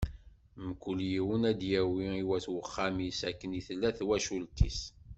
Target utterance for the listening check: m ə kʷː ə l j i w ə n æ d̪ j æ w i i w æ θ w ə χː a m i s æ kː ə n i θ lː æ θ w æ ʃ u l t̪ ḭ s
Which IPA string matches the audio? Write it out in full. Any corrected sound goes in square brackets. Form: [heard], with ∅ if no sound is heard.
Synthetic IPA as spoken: m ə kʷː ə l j i w ə n æ d̪ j æ w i i w æ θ w ə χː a m i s æ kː ə n i θ lː æ θ w æ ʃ u l t̪ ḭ s